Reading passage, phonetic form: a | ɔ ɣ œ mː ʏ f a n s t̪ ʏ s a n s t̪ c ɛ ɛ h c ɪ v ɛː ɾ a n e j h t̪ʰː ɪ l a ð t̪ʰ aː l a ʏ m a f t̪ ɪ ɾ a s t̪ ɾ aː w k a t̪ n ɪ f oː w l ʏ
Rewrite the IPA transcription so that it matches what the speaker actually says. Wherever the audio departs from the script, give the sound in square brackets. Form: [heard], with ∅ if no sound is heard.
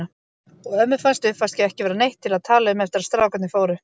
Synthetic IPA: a | ɔ ɣ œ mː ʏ f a n s t̪ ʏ [f] a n s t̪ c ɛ ɛ h c ɪ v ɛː ɾ a n e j h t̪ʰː ɪ l a ð t̪ʰ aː l a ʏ m [ɛ] f t̪ ɪ ɾ a s t̪ ɾ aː w k a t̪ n ɪ f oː w [ɾ] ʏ